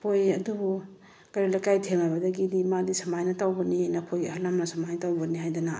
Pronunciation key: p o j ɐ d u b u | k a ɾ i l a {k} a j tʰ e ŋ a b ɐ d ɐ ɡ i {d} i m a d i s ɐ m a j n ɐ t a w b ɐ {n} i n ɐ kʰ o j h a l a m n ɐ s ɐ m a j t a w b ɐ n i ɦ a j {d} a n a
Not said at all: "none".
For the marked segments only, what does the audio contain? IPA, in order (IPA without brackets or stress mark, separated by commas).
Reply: k, d, n, d